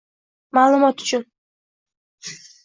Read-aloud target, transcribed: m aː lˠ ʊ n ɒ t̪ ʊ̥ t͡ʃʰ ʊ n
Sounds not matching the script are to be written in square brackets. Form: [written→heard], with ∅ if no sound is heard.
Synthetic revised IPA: m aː lˠ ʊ [n→m] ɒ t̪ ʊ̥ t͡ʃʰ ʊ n